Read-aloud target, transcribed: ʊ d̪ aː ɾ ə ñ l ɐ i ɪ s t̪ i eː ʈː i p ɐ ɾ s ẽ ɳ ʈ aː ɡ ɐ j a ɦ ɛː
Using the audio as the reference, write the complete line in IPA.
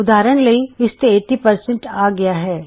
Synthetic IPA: ʊ d̪ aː ɾ ə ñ l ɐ i ɪ s t̪ e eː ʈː i p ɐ ɾ s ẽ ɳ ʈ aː ɡ ɐ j a ɦ ɛː